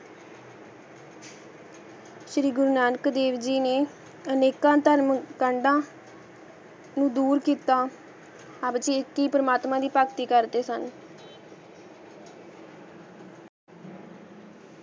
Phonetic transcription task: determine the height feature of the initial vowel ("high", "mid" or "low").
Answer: high